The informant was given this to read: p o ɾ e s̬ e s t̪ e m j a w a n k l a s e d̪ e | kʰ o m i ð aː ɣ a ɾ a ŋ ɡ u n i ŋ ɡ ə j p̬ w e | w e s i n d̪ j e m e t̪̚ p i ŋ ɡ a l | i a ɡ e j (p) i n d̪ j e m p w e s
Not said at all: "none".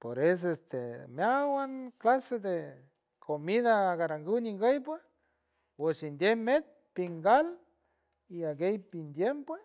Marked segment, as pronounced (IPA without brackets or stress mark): p